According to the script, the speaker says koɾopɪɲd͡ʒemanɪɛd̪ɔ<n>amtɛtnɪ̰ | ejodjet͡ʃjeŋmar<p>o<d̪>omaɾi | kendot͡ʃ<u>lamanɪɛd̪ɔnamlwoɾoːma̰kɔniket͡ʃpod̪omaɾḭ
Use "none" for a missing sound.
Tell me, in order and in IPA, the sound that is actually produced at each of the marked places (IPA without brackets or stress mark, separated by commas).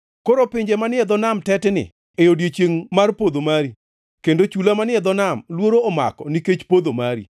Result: n, p, d̪, u